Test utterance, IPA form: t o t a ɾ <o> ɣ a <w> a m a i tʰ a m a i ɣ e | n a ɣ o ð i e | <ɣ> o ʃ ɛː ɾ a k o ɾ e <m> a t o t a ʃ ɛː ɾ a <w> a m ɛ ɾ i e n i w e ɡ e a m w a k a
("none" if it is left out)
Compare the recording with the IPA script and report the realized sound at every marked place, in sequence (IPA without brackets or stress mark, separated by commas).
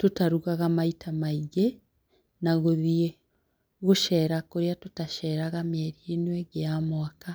u, ɣ, ɣ, none, ɣ